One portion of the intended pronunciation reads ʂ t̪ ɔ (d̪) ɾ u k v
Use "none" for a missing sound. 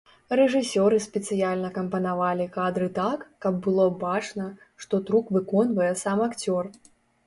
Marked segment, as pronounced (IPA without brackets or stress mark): t̪